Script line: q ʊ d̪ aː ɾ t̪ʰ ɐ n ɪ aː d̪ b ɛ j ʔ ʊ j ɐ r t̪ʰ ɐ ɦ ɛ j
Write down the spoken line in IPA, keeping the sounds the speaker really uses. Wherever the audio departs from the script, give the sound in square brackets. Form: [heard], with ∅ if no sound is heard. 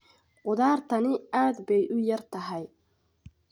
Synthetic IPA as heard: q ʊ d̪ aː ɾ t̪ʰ ɐ n ɪ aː d̪ b ɛ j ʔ ʊ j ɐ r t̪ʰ ɐ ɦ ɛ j